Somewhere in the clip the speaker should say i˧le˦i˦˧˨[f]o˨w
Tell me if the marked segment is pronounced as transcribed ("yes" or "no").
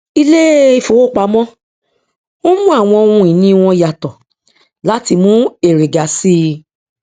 yes